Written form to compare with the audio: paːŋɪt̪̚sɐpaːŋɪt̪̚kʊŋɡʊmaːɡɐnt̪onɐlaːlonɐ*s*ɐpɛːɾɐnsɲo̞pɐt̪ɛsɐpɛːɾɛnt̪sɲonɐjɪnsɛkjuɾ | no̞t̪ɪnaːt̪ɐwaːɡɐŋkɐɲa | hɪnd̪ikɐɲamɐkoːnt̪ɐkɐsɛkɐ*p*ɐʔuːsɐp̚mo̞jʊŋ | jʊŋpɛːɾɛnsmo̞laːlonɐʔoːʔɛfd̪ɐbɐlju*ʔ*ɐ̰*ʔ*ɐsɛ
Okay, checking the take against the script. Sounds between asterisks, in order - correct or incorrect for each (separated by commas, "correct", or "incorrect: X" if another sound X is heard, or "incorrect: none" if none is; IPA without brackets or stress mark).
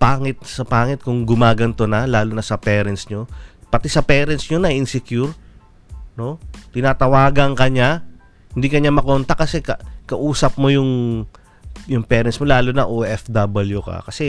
correct, incorrect: k, incorrect: k, incorrect: k